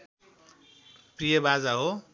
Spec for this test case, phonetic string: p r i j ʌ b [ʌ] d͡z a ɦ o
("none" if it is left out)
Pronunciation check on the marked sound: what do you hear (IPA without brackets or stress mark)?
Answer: a